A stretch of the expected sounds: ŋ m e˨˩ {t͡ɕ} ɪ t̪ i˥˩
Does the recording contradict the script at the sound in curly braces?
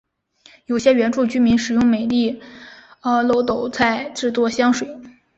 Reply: yes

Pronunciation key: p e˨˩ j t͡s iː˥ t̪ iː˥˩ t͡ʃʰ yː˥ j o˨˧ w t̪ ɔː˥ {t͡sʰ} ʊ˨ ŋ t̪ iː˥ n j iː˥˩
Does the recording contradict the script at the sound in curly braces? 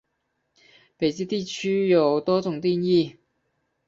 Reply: yes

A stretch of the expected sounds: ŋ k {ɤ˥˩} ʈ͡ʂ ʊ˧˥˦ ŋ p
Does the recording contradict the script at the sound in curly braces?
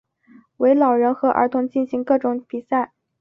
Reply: no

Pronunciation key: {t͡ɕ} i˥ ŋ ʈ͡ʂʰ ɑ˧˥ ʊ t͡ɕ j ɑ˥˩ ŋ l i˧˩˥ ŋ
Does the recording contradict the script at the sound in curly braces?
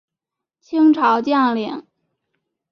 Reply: yes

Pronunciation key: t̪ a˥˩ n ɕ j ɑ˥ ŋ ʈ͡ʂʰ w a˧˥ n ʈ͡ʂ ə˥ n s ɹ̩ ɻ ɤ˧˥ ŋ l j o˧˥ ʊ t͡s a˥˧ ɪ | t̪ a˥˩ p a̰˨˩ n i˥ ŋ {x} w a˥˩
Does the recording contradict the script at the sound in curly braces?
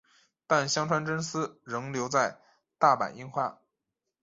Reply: no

